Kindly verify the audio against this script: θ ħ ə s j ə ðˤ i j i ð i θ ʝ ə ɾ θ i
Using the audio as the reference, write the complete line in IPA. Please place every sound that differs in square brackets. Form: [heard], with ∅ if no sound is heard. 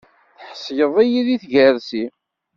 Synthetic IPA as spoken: θ ħ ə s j ə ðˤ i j i ð i θ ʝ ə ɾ [s] i